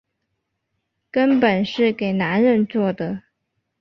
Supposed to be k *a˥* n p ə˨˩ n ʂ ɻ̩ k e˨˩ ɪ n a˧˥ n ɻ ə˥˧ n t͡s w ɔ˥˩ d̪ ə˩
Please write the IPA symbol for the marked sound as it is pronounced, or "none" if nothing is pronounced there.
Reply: ə˥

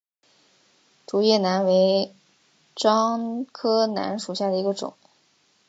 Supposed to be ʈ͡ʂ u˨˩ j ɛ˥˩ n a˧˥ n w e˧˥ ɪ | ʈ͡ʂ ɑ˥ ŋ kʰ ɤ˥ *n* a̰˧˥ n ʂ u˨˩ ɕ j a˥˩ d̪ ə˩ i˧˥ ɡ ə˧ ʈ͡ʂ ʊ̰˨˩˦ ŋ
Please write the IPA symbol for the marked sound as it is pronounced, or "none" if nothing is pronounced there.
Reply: n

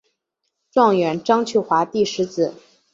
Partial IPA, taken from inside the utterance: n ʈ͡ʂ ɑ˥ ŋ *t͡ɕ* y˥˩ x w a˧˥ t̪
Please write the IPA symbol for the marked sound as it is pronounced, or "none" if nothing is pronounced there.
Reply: t͡ɕʰ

